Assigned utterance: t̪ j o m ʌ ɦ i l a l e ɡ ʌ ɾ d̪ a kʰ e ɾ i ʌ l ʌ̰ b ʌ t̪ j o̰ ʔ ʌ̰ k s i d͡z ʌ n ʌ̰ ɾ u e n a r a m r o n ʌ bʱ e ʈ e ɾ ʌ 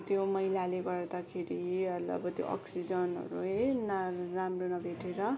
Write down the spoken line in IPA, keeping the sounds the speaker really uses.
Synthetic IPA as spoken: t̪ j o m ʌ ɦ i l a l e ɡ ʌ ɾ d̪ a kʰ e ɾ i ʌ l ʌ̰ b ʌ t̪ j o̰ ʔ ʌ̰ k s i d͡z ʌ n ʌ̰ ɾ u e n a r a m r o n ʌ bʱ e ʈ e ɾ ʌ